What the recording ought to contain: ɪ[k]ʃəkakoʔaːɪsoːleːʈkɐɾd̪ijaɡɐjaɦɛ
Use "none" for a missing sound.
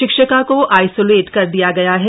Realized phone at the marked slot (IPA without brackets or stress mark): k